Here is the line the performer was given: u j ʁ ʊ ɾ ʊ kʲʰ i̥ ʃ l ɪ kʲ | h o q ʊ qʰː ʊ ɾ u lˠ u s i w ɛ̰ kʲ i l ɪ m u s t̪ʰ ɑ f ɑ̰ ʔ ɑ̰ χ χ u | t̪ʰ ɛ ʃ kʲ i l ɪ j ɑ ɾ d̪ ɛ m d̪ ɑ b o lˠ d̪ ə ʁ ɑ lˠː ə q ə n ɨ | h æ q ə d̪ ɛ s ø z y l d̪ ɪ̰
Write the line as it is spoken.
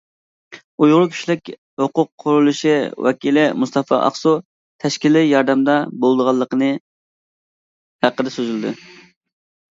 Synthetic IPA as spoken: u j ʁ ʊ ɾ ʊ kʲʰ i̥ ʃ l ɪ kʲ | h o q ʊ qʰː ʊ ɾ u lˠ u ʃ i w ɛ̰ kʲ i l ɪ m u s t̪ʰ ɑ f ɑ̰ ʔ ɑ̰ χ s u | t̪ʰ ɛ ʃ kʲ i l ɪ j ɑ ɾ d̪ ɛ m d̪ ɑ b o lˠ d̪ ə ʁ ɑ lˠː ə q ə n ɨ | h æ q ə d̪ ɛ s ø z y l d̪ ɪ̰

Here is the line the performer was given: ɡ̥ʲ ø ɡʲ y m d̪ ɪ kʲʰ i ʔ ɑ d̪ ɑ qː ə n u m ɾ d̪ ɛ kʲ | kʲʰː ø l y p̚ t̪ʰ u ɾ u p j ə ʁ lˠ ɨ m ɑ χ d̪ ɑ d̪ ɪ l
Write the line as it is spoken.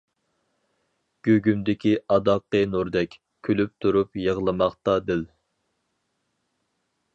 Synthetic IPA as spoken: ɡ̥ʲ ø ɡʲ y m d̪ ɪ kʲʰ i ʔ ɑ d̪ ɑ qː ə n u ɾ d̪ ɛ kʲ | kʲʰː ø l y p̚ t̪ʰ u ɾ u p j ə ʁ lˠ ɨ m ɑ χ t̪ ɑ d̪ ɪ l

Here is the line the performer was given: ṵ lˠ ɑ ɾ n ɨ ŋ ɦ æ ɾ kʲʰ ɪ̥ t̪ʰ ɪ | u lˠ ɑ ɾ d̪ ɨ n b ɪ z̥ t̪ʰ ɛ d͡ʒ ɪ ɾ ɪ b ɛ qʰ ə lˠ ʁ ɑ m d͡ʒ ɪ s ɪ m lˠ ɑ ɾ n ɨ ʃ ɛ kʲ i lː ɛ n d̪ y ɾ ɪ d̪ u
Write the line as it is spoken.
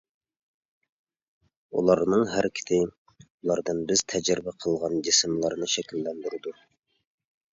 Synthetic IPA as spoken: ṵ lˠ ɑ ɾ n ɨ ŋ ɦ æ ɾ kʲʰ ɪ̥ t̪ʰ ɪ | u lˠ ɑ ɾ d̪ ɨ n b ɪ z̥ t̪ʰ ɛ d͡ʒ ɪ ɾ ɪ b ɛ qʰ ə lˠ ʁ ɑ n d͡ʒ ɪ s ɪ m lˠ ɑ ɾ n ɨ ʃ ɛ kʲ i lː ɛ n d̪ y ɾ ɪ d̪ u

